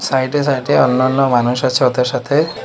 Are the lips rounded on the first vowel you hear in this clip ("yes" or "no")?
no